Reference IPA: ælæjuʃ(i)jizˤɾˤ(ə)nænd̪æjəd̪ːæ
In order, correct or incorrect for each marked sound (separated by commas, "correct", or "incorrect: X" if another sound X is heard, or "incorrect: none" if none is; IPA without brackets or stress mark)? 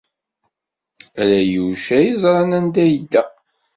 incorrect: æ, incorrect: ɑ